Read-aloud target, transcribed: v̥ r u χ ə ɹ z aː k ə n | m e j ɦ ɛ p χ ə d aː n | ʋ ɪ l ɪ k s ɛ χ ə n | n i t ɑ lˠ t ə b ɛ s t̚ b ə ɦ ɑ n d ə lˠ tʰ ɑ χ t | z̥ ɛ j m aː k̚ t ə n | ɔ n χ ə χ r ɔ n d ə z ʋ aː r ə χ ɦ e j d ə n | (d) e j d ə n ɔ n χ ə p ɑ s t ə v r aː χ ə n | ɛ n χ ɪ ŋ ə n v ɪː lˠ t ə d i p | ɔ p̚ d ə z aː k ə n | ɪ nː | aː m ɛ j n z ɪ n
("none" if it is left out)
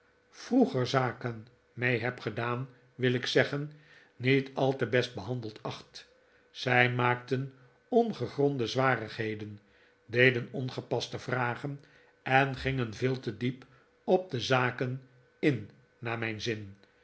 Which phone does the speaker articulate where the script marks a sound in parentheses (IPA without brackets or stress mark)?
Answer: d